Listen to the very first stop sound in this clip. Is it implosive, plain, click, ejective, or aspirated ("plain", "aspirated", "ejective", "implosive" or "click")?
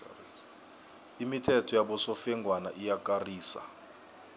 aspirated